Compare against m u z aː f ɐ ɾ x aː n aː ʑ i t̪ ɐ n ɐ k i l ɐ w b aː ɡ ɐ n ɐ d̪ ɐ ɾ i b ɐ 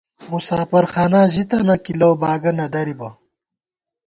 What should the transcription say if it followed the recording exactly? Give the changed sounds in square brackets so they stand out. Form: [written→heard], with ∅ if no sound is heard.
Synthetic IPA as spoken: m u [z→s] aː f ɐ ɾ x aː n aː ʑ i t̪ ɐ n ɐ k i l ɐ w b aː ɡ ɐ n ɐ d̪ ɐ ɾ i b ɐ